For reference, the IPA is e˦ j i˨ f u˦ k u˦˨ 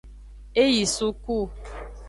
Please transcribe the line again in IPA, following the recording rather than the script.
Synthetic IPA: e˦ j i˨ s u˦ k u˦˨